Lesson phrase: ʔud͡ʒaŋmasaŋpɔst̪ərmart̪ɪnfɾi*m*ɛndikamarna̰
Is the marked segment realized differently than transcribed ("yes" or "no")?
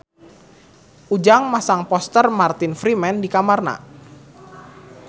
no